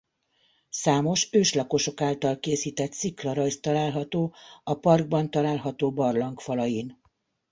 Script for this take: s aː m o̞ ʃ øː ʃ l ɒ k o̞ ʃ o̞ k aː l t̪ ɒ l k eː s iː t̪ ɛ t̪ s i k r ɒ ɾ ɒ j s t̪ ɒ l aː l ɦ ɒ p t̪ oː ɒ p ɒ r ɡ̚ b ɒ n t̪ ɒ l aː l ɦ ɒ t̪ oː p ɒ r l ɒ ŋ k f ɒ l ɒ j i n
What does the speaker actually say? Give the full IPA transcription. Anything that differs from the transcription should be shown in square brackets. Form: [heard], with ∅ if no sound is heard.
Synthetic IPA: s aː m o̞ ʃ øː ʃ l ɒ k o̞ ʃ o̞ k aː l t̪ ɒ l k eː s iː t̪ ɛ t̪ s i k [l] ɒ ɾ ɒ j s t̪ ɒ l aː l ɦ ɒ [∅] t̪ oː ɒ p ɒ r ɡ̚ b ɒ n t̪ ɒ l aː l ɦ ɒ t̪ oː [b] ɒ r l ɒ ŋ k f ɒ l ɒ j i n